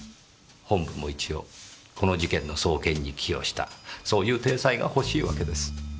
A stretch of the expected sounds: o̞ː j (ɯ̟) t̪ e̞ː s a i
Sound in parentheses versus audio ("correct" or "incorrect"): incorrect